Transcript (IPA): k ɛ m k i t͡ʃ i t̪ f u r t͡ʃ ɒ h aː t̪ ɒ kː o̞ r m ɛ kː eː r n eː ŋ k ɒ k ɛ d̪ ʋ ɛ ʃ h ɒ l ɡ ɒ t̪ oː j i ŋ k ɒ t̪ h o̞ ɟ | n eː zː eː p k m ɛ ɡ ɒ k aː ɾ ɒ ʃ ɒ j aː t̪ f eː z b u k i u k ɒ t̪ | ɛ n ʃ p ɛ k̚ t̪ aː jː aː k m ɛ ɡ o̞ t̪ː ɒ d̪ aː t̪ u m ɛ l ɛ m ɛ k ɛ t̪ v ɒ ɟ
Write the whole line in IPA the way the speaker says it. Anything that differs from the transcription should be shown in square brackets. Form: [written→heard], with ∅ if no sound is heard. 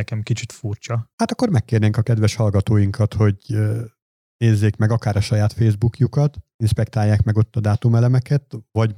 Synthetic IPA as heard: k ɛ m k i t͡ʃ i t̪ f u r t͡ʃ ɒ h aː t̪ ɒ kː o̞ r m ɛ kː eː r n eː ŋ k ɒ k ɛ d̪ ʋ ɛ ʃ h ɒ l ɡ ɒ t̪ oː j i ŋ k ɒ t̪ h o̞ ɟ | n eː zː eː [p→∅] k m ɛ ɡ ɒ k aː ɾ ɒ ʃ ɒ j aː t̪ f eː z b u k [i→j] u k ɒ t̪ | [ɛ→i] n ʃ p ɛ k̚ t̪ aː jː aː k m ɛ ɡ o̞ t̪ː ɒ d̪ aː t̪ u m ɛ l ɛ m ɛ k ɛ t̪ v ɒ ɟ